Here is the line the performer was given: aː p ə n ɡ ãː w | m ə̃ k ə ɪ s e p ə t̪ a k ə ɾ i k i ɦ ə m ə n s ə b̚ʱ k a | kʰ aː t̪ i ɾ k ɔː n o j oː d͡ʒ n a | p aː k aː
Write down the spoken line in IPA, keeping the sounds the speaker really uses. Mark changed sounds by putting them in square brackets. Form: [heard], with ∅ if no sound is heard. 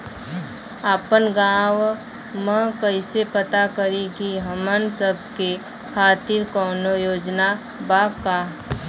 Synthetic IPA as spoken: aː p ə n ɡ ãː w | m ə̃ k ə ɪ s e p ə t̪ a k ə ɾ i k i ɦ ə m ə n s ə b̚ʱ k [e] | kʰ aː t̪ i ɾ k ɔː n o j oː d͡ʒ n a | [b] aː k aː